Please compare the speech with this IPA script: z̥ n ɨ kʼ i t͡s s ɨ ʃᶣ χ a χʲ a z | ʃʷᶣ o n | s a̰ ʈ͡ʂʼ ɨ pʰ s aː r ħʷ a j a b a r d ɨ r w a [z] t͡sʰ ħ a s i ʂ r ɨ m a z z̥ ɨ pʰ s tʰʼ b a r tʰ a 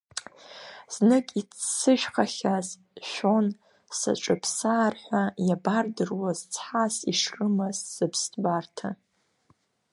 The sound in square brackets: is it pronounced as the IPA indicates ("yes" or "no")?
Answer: yes